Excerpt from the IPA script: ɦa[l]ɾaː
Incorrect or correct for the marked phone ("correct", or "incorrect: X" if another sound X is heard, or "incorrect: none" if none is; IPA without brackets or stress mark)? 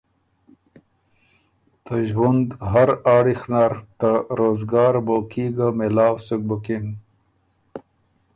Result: incorrect: none